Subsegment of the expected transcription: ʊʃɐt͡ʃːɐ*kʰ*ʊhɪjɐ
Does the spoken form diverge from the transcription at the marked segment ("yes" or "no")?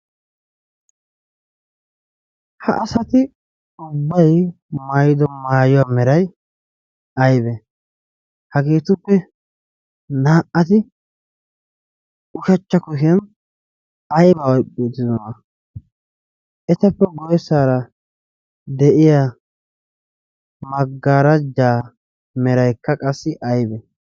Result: yes